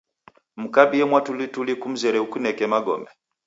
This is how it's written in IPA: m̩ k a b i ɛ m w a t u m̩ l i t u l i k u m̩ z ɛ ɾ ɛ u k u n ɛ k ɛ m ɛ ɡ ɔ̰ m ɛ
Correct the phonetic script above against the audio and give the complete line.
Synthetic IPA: m̩ k a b i ɛ m w a t u l i t u l i k u m̩ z ɛ ɾ ɛ u k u n ɛ k ɛ m a ɡ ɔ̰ m ɛ